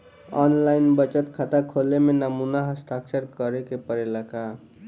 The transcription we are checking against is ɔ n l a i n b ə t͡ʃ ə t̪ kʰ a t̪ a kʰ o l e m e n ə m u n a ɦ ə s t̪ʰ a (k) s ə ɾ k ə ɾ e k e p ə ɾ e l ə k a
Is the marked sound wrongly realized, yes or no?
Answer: no